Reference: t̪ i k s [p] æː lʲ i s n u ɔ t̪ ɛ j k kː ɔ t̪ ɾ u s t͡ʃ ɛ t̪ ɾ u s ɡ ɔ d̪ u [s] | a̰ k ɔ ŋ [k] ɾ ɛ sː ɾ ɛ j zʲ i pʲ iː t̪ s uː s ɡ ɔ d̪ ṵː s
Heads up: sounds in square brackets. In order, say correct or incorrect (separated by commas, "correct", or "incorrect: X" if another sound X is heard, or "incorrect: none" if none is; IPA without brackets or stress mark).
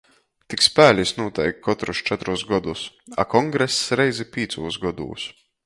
correct, correct, incorrect: ɡ